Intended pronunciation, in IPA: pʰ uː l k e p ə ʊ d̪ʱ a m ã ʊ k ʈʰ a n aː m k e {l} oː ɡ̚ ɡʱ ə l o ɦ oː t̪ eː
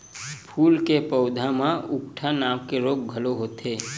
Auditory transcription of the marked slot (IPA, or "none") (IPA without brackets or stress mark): ɾ